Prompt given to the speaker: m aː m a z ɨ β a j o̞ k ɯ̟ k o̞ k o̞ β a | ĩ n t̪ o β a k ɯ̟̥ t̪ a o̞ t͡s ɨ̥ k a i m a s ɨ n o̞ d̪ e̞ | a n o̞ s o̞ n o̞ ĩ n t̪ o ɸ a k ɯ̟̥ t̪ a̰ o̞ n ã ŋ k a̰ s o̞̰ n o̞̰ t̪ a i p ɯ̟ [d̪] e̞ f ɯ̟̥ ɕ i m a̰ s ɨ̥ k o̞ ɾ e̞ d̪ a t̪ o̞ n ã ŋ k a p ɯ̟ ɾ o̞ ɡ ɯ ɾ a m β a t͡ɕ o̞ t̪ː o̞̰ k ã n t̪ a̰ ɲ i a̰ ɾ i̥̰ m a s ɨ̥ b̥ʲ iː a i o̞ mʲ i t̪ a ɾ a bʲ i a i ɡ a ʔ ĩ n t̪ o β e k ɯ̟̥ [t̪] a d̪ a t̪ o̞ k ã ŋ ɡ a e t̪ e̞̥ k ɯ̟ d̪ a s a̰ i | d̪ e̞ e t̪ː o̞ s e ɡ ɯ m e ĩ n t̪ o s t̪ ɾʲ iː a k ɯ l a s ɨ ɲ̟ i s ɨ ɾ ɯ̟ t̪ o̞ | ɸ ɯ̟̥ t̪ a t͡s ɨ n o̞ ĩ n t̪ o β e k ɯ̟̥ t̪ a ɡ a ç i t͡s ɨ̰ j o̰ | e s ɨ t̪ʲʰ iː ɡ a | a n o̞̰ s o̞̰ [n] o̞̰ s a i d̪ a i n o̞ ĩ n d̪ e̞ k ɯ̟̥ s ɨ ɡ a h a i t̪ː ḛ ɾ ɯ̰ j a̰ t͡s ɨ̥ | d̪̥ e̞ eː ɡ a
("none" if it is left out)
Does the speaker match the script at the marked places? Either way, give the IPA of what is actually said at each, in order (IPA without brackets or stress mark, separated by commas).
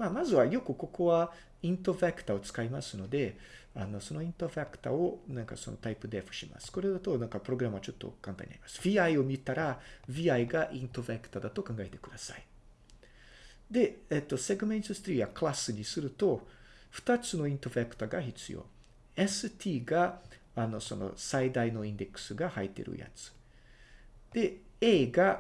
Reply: d̪, t̪, n